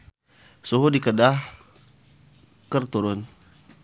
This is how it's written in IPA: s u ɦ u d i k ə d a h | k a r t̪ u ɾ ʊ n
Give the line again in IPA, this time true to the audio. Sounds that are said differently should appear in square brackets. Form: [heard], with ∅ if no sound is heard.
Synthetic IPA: s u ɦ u d i k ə d a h | k [ə] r t̪ u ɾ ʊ n